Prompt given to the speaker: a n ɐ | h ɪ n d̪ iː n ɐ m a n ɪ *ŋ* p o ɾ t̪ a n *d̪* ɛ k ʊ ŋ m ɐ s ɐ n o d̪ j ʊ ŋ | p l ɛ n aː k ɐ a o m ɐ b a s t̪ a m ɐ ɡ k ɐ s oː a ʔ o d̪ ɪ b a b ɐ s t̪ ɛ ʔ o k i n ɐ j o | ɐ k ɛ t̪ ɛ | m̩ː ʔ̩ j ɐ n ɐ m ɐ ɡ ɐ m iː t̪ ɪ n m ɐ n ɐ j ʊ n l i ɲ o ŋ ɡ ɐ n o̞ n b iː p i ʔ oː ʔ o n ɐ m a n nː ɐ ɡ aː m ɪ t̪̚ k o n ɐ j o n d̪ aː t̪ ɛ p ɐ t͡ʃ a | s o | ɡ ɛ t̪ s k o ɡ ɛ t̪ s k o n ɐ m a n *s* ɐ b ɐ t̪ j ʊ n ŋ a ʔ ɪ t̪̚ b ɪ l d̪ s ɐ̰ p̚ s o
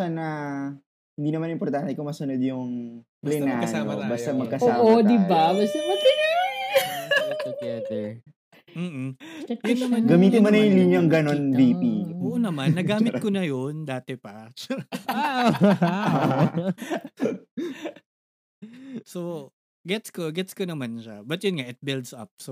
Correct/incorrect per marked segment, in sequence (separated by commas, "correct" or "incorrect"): incorrect, incorrect, incorrect